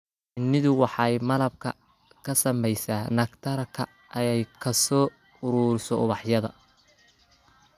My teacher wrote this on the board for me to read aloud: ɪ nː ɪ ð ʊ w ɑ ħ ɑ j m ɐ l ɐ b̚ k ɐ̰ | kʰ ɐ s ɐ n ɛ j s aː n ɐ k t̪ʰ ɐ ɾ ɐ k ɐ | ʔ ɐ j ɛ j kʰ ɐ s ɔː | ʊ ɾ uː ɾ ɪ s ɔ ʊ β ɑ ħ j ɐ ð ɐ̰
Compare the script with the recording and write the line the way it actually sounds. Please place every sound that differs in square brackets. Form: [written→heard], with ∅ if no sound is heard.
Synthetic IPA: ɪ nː ɪ ð ʊ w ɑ ħ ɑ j m ɐ l ɐ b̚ [k→kʰ] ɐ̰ | kʰ ɐ s ɐ [n→m] ɛ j s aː n ɐ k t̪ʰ ɐ ɾ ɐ [k→kʰ] ɐ | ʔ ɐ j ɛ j kʰ ɐ s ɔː | ʊ ɾ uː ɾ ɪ s ɔ ʊ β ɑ ħ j ɐ ð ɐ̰